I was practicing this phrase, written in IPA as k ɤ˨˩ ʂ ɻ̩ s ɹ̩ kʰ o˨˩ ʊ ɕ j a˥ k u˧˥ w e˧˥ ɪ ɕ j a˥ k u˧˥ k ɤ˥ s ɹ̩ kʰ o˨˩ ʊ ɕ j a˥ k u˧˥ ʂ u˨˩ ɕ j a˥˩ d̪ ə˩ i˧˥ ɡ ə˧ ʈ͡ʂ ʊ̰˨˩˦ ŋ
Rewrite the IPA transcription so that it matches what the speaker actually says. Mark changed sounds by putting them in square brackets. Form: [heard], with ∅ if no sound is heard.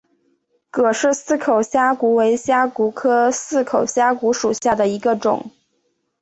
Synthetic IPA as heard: k ɤ˨˩ ʂ ɻ̩ s ɹ̩ kʰ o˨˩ ʊ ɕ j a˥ k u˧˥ w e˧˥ ɪ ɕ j a˥ k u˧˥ [kʰ] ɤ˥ s ɹ̩ kʰ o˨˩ ʊ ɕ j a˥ k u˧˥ ʂ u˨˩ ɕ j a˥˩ d̪ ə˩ i˧˥ ɡ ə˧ ʈ͡ʂ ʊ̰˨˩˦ ŋ